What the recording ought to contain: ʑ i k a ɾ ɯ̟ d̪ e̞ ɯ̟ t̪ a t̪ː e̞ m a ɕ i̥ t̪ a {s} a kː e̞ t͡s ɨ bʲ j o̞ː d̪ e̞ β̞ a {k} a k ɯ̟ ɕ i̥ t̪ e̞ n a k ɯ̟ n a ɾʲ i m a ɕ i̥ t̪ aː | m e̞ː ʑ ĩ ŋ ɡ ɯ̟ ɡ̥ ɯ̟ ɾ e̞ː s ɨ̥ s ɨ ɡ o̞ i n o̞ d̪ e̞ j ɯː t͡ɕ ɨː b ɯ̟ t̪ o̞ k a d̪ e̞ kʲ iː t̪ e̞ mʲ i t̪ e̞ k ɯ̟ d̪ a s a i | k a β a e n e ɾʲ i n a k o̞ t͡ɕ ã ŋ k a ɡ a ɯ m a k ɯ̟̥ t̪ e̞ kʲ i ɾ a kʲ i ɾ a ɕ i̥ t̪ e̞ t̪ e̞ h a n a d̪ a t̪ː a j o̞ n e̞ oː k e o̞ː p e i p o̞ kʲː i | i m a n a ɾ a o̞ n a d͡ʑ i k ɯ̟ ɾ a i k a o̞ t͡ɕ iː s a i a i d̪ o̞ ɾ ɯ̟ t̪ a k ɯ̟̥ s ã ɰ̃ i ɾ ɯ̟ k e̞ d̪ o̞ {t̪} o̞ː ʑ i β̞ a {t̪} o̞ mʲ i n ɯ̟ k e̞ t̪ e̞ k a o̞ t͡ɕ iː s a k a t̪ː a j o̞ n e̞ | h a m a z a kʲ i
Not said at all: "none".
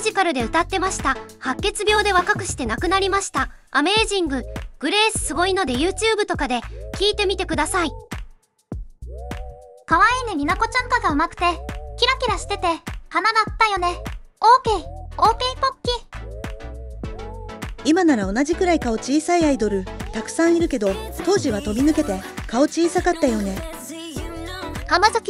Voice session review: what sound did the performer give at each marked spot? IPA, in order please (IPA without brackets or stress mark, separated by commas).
h, k, t̪, t̪